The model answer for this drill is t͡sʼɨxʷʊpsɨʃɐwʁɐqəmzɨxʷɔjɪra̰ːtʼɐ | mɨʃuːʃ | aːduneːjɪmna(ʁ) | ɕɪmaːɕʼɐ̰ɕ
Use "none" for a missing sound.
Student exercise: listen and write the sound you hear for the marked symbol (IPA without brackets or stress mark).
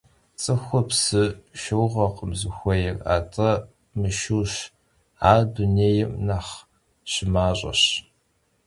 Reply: χ